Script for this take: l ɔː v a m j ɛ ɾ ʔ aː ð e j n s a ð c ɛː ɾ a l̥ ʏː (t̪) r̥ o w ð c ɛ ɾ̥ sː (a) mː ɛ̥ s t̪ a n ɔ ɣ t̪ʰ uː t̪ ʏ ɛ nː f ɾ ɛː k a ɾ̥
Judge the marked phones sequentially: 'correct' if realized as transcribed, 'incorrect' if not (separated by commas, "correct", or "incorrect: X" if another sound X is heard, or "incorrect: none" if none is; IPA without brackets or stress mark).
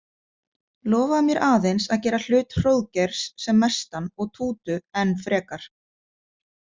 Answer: correct, incorrect: ɛ